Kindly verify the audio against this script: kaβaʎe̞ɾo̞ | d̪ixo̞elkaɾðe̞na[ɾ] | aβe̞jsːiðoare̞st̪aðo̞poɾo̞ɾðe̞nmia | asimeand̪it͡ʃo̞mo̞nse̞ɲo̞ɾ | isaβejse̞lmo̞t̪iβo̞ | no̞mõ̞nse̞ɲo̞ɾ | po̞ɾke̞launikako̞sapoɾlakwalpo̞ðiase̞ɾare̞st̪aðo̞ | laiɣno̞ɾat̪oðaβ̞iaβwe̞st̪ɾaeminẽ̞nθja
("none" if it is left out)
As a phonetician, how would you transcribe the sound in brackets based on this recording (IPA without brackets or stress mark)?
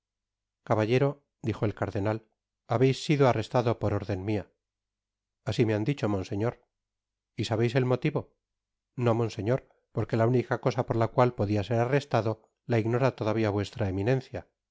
l